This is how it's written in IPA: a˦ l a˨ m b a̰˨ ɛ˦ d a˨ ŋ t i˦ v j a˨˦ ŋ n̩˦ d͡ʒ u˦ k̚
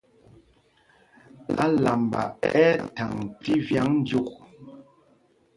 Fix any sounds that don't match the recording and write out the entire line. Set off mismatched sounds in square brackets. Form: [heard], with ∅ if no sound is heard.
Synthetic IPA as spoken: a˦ l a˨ m b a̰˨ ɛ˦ [t] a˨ ŋ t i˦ v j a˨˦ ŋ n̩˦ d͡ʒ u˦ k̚

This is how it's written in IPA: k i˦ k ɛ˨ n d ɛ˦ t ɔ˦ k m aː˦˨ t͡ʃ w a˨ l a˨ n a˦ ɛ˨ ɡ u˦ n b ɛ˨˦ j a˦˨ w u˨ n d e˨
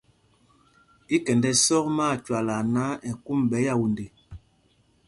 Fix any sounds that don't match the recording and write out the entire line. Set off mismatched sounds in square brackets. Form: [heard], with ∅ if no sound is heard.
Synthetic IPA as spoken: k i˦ k ɛ˨ n d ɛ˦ [s] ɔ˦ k m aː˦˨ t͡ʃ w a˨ l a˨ n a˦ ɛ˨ [k] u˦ [m] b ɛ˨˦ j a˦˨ w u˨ n d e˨

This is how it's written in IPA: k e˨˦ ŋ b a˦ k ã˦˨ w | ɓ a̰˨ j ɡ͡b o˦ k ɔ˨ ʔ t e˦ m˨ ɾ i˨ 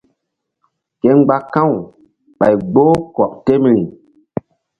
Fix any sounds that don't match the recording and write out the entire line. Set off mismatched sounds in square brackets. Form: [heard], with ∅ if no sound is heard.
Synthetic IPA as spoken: k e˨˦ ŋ [ɡ͡b] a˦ k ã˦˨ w | ɓ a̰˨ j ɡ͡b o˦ k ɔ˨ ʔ t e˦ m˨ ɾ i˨

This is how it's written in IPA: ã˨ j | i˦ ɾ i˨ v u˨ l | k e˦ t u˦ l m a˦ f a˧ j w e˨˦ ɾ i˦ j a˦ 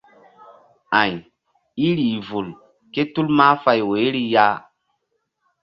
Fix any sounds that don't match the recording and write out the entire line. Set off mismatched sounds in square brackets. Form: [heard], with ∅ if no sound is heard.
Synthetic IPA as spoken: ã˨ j | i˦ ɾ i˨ v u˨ l | k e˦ t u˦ l m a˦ f a˧ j w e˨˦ ɾ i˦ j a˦

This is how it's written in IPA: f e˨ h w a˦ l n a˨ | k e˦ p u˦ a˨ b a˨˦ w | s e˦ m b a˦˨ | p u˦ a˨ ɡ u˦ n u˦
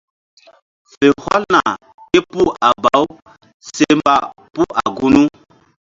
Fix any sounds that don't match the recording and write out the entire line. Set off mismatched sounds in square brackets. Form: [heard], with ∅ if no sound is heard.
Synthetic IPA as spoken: f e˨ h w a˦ l n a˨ | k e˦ p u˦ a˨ b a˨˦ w | s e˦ m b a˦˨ | p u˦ a˨ ɡ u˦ n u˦

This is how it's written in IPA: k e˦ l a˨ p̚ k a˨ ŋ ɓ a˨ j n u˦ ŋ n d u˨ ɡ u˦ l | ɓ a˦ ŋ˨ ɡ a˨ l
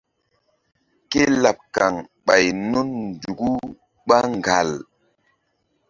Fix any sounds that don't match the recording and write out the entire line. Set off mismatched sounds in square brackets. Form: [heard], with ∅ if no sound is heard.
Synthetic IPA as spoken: k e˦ l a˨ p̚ k a˨ ŋ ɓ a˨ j n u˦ [n] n d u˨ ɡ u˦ [∅] | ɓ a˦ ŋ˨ ɡ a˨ l

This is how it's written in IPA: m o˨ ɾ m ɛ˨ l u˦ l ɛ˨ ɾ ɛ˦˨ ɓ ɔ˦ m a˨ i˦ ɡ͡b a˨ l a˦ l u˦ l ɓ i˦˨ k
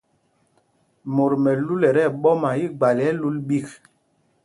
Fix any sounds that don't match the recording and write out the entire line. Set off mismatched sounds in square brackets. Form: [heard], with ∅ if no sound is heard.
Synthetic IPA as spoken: m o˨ ɾ m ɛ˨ l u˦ l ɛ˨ ɾ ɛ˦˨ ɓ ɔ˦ m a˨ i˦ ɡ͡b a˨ l [ɛ˦] l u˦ l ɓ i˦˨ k

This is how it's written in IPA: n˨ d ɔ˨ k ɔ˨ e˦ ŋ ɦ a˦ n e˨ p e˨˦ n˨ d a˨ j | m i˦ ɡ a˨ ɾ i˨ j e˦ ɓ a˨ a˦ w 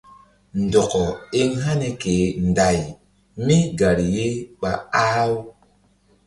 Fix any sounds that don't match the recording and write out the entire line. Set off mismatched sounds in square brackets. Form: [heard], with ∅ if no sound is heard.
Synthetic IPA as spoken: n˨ d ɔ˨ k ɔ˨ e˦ ŋ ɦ a˦ n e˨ [k] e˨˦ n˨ d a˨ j | m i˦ ɡ a˨ ɾ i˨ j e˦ ɓ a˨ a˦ w

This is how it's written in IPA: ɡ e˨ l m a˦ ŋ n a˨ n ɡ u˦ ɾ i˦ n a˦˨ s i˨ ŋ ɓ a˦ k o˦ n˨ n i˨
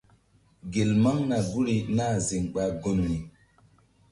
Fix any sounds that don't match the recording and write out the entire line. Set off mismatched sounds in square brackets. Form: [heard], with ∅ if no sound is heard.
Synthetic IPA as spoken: ɡ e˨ l m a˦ ŋ n a˨ [∅] ɡ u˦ ɾ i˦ n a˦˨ [z] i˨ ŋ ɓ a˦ [ɡ] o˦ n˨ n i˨

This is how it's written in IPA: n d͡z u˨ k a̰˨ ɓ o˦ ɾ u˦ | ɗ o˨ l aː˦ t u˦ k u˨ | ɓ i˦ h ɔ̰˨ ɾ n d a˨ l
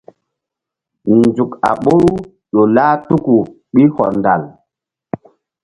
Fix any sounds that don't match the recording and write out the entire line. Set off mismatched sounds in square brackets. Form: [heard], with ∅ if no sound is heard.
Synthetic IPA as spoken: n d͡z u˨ k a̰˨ ɓ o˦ ɾ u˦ | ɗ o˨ l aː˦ t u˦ k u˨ | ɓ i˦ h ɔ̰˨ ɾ n d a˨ l

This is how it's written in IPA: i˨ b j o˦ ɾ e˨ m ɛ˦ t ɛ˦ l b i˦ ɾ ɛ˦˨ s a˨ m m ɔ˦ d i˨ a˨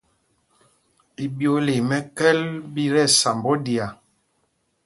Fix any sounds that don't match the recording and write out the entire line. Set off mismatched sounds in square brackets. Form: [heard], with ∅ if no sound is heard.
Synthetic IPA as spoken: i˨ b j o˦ [l] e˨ m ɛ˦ [k] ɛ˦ l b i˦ ɾ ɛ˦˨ s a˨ m [b] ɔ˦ d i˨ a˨

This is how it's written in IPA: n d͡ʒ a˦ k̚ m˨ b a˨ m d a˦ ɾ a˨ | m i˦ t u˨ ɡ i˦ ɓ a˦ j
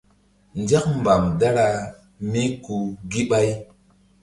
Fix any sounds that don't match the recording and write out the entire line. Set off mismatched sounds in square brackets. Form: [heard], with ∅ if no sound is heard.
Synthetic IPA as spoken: n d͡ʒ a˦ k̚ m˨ b a˨ m d a˦ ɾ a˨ | m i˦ [k] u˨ ɡ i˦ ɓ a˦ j

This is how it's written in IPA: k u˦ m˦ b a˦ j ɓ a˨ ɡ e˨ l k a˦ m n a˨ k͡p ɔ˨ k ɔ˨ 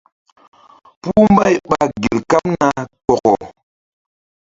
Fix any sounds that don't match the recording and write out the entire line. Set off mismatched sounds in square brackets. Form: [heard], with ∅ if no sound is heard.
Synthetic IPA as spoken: [p] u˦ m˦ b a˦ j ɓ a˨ ɡ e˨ l k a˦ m n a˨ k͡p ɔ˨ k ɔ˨

